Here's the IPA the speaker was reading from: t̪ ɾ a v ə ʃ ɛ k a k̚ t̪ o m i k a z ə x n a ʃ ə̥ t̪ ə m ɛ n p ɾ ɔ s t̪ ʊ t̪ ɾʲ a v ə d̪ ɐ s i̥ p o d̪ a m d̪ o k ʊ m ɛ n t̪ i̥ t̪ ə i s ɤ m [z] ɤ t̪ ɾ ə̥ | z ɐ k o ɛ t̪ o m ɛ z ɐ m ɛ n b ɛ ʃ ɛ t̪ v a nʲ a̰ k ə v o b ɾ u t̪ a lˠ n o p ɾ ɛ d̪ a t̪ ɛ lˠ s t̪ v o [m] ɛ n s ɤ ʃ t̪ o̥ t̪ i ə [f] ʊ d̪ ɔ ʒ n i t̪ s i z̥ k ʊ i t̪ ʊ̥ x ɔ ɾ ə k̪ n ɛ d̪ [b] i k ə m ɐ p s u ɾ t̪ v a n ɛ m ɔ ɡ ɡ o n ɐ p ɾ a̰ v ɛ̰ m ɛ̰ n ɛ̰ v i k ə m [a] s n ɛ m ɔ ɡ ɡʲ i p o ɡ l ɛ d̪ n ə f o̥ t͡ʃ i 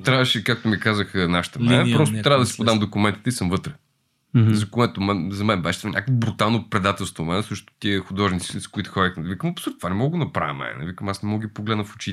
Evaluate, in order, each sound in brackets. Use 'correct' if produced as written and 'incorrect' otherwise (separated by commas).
incorrect, correct, incorrect, incorrect, correct